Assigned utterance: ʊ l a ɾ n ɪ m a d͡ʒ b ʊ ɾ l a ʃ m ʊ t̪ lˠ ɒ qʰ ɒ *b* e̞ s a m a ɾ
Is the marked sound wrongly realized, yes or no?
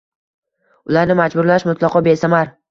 no